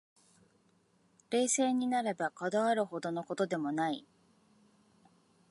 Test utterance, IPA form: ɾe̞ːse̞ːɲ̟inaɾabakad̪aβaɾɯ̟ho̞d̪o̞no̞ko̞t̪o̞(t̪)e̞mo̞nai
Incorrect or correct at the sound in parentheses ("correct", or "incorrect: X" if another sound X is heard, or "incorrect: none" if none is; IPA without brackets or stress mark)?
incorrect: d̪